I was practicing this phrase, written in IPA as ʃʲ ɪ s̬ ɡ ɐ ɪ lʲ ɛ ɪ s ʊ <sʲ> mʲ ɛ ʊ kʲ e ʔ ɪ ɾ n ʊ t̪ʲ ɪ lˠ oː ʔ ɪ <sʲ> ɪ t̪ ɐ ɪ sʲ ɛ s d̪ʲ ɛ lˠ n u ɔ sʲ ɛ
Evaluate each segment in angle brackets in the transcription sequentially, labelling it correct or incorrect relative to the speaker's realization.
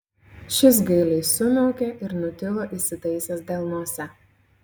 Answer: incorrect, correct

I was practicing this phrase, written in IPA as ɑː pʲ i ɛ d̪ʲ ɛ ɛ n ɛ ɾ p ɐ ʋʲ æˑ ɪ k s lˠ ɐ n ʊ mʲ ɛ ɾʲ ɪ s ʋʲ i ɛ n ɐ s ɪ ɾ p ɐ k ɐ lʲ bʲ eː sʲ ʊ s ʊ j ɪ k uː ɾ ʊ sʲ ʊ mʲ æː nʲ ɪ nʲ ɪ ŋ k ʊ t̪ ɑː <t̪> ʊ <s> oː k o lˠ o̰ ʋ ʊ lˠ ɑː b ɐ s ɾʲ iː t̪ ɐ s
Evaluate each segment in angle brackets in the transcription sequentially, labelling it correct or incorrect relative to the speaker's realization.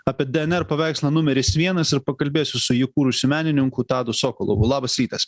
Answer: incorrect, correct

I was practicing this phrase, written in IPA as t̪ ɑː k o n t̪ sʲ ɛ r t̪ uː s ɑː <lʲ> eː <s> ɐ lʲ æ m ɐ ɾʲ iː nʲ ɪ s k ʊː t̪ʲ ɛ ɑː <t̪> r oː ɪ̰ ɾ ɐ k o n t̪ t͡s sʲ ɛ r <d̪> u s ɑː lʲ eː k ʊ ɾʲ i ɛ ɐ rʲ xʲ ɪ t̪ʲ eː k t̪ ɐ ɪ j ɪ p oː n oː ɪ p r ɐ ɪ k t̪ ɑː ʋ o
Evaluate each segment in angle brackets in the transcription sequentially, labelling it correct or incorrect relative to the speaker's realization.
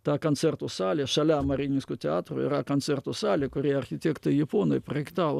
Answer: correct, incorrect, correct, incorrect

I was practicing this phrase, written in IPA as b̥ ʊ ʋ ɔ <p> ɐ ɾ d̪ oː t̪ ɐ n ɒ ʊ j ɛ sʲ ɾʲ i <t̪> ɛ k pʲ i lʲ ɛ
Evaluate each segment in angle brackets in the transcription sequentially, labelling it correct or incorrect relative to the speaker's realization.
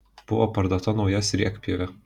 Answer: correct, incorrect

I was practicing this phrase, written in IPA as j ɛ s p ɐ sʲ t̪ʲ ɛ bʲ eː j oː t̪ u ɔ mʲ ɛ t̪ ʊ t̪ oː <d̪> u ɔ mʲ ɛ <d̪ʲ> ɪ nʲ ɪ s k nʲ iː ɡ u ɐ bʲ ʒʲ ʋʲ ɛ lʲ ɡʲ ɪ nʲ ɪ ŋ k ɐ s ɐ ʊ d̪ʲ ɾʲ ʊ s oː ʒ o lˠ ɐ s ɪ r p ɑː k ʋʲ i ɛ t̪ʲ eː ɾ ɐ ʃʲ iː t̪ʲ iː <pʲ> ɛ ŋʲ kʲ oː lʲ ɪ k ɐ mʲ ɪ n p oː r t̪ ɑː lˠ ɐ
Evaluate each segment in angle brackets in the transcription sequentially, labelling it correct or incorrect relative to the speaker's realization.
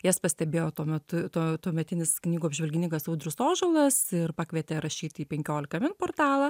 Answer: incorrect, incorrect, correct

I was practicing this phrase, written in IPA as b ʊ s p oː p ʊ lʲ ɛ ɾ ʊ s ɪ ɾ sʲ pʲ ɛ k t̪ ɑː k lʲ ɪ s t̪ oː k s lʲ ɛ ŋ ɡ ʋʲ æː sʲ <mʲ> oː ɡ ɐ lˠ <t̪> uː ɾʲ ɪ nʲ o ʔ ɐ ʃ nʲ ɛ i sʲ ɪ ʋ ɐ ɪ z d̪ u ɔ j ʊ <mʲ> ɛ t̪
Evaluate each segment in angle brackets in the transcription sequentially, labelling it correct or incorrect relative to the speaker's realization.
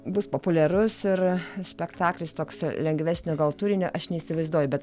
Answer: incorrect, correct, incorrect

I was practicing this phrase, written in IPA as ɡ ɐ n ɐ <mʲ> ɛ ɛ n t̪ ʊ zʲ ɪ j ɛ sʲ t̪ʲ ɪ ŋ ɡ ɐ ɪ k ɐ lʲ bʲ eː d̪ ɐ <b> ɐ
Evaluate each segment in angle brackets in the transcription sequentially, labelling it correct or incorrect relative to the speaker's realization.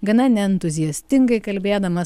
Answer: incorrect, incorrect

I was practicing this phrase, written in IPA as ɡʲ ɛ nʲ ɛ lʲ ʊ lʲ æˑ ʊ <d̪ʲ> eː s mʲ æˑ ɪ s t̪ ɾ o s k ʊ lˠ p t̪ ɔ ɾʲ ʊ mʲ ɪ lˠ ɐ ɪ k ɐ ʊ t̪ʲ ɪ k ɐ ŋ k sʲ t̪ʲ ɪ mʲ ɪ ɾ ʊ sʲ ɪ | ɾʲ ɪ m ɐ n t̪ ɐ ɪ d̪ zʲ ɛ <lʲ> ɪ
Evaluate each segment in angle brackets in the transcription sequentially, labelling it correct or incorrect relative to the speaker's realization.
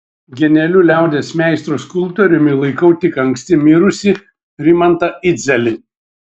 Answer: correct, correct

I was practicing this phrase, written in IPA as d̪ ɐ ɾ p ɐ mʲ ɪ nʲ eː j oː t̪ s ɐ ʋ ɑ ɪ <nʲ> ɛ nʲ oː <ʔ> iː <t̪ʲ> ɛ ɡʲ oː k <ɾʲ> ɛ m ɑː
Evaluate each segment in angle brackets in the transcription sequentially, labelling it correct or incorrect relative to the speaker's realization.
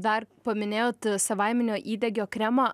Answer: incorrect, correct, incorrect, correct

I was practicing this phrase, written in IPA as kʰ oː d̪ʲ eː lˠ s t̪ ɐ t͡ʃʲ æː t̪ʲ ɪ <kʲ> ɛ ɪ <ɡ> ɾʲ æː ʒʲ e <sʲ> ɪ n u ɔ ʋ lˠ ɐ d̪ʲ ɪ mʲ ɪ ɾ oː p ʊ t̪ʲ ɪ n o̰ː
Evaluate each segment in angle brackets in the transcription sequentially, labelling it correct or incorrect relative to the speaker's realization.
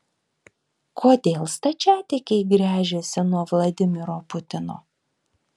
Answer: correct, correct, correct

